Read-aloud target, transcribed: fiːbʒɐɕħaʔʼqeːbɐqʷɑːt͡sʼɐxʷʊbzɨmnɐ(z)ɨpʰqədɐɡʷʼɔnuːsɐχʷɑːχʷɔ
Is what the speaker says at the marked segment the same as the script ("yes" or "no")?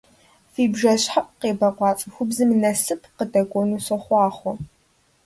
no